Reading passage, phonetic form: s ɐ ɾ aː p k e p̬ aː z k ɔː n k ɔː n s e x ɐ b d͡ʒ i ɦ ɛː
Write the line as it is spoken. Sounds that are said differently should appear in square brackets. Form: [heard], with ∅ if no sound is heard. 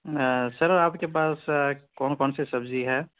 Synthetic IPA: s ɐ ɾ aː p k e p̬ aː [s] k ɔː n k ɔː n s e [s] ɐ b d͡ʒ i ɦ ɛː